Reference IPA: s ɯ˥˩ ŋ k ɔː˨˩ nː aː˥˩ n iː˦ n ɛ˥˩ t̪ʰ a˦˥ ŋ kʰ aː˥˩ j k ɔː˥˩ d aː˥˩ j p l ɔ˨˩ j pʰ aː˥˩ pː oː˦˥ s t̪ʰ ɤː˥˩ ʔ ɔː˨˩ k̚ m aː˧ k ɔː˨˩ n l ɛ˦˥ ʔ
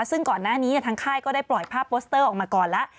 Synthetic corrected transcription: s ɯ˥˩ ŋ k ɔː˨˩ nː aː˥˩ n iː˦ n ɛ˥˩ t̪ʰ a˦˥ ŋ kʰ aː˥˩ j k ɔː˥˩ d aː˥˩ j p l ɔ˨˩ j pʰ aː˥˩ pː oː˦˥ s t̪ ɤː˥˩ ʔ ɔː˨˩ k̚ m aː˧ k ɔː˨˩ n l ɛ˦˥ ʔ

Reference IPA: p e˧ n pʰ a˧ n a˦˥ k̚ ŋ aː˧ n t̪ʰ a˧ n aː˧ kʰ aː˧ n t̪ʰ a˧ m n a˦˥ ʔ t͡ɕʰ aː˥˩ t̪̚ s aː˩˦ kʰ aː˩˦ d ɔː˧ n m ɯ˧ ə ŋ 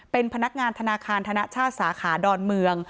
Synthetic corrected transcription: p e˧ n pʰ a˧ n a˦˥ k̚ ŋ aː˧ n t̪ʰ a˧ n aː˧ kʰ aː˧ n t̪ʰ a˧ n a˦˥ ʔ t͡ɕʰ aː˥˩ t̪̚ s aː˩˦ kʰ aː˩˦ d ɔː˧ n m ɯ˧ ə ŋ

